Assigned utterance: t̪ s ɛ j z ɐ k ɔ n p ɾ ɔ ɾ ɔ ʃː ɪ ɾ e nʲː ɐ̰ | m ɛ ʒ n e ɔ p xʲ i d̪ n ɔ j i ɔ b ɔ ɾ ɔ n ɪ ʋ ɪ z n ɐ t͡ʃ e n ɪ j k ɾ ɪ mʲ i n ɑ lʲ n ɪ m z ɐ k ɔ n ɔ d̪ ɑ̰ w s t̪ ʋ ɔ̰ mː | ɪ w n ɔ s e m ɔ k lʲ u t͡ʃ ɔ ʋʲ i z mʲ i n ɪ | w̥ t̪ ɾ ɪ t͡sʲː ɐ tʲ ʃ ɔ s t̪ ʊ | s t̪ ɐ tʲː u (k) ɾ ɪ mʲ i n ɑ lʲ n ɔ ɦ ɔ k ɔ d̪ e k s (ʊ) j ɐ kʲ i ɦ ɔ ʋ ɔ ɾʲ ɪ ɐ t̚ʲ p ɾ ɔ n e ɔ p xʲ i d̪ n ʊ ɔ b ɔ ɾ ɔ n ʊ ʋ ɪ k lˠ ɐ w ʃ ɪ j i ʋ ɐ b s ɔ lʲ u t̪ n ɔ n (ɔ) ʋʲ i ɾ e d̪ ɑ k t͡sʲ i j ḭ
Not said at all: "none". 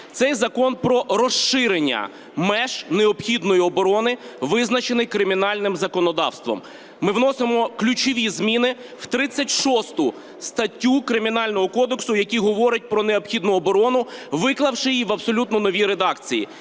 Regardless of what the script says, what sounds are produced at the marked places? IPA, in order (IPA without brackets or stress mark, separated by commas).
k, ʊ, ɔ